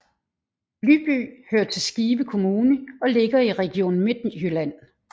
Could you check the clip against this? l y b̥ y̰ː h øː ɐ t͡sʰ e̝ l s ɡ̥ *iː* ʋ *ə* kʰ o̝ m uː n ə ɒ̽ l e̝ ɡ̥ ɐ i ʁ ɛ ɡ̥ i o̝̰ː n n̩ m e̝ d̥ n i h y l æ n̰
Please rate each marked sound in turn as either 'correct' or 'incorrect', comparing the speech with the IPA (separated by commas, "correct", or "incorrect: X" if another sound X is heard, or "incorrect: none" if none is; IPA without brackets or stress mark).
correct, correct